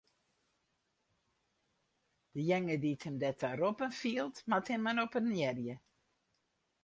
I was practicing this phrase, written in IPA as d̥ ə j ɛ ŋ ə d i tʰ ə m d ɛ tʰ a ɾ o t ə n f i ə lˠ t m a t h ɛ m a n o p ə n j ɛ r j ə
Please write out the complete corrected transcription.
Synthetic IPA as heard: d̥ ə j ɛ ŋ ə d i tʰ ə m d ɛ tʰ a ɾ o p ə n f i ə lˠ t m a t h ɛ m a n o p ə n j ɛ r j ə